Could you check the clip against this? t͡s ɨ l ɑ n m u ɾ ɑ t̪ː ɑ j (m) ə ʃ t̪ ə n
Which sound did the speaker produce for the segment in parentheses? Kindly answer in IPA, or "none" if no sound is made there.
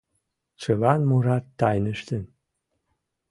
n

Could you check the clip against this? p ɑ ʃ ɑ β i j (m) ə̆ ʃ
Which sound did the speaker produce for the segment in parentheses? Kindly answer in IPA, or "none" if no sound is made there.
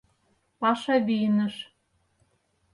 n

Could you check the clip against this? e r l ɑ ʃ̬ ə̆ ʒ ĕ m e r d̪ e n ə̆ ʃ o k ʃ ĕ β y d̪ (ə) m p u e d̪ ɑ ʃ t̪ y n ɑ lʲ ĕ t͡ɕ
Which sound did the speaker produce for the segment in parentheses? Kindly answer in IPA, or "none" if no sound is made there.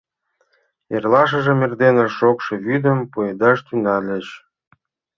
ə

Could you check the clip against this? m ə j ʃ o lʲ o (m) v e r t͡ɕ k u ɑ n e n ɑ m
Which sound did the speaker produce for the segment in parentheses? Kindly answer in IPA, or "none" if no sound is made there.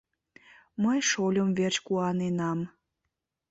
m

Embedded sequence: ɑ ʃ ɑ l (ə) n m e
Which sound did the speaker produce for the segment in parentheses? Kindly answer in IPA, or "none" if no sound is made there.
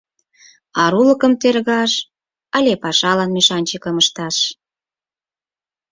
ɑ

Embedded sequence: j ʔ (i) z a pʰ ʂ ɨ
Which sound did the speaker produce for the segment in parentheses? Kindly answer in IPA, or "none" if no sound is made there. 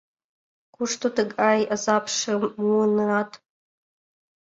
a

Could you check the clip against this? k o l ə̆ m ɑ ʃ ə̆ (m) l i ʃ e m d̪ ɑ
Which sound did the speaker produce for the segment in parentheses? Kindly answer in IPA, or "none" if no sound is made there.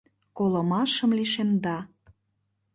m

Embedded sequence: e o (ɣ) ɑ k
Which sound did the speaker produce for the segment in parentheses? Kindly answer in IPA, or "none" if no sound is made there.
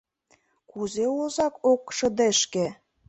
z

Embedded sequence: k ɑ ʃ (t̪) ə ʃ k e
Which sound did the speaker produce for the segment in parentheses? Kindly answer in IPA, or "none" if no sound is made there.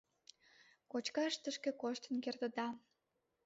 t̪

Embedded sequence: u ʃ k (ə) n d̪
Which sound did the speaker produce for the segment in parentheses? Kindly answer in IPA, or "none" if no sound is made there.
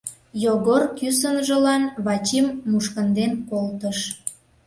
ə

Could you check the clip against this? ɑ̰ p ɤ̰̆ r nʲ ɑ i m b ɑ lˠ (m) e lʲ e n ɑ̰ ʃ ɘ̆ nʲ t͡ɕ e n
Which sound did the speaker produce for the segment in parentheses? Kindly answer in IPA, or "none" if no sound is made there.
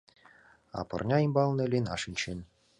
n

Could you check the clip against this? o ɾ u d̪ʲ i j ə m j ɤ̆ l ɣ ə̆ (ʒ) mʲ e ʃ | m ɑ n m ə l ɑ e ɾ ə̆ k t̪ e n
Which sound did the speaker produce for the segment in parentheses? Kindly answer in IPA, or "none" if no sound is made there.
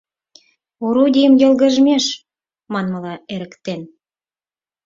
ʒ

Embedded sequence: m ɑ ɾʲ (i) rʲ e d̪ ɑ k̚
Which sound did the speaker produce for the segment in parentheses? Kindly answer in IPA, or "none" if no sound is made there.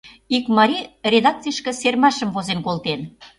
i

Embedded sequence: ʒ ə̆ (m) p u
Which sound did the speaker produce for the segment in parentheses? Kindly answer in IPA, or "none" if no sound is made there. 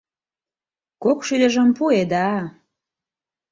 m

